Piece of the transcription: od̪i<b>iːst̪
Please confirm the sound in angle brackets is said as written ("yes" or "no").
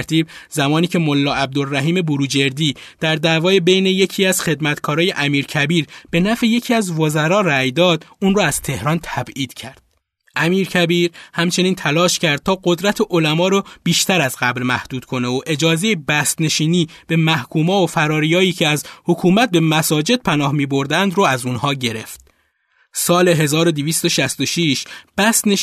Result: no